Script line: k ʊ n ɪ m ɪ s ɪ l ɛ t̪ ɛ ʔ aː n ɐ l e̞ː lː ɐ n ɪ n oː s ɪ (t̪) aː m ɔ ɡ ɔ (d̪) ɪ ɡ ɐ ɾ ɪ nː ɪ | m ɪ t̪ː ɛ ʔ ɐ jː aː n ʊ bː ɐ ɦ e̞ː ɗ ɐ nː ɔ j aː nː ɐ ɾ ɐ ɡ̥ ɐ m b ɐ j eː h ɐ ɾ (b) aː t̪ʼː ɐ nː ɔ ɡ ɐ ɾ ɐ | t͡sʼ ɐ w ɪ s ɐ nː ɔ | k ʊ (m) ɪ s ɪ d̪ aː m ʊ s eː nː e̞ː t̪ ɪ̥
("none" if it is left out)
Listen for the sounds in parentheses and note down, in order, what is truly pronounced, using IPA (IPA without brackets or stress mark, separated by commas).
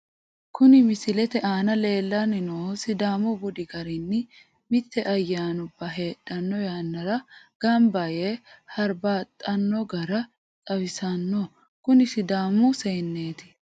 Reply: d̪, d̪, b, n